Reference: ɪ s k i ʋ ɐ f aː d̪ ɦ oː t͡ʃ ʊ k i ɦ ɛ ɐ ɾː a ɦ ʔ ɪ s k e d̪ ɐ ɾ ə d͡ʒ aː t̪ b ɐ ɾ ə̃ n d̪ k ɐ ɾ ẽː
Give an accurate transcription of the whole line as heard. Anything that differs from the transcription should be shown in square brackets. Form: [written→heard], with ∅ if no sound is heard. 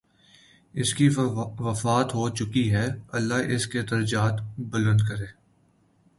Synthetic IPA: ɪ s k i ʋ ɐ f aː [d̪→t̪] ɦ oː t͡ʃ ʊ k i ɦ ɛ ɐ [ɾː→lː] a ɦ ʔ ɪ s k e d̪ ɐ ɾ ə d͡ʒ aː t̪ b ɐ [ɾ→l] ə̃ n d̪ k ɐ ɾ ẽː